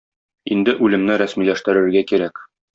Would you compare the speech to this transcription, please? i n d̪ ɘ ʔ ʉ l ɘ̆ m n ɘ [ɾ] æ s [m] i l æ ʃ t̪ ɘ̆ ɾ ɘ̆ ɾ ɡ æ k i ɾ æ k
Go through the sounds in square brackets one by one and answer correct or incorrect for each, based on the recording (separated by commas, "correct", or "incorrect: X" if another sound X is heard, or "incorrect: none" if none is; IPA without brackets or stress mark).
correct, correct